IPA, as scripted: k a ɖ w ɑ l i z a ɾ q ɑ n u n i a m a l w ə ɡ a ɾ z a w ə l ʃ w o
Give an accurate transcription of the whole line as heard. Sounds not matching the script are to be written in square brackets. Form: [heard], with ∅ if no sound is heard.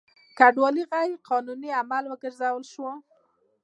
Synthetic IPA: k a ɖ w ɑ l i [ɣ] a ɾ q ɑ n u n i a m a l w ə ɡ [ə] ɾ z a w ə l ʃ w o